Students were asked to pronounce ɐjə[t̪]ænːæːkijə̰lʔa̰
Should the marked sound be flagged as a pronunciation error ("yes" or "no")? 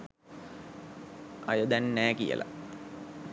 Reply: yes